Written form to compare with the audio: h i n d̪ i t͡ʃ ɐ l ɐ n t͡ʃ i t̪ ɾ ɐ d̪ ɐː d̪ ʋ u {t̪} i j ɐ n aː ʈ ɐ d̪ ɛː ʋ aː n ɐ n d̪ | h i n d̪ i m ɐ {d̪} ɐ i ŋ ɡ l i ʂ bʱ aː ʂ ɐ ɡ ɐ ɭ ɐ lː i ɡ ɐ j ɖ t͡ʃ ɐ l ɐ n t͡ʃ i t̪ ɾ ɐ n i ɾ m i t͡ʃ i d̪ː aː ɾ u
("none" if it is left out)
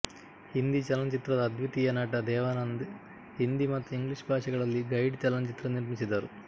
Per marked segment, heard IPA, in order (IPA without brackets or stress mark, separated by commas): t̪, t̪